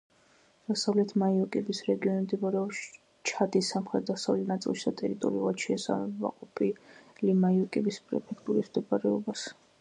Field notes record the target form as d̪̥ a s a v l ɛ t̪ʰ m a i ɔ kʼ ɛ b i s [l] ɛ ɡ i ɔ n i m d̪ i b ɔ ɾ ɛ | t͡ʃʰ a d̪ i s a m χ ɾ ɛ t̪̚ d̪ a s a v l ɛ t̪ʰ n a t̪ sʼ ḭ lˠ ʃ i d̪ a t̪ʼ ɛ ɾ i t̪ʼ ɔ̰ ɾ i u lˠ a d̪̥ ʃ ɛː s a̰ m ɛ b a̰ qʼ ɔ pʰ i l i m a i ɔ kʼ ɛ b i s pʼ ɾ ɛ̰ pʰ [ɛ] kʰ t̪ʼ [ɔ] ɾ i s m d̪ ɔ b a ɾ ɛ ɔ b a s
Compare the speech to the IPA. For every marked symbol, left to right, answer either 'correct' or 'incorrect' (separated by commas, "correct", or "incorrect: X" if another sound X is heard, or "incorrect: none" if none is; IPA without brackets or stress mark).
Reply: incorrect: ɾ, correct, incorrect: u